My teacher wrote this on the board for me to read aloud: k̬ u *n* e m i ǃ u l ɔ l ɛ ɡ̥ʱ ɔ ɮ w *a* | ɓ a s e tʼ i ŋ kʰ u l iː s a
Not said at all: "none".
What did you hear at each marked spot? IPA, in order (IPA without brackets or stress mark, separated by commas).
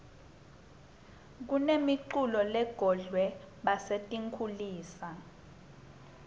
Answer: n, ɛ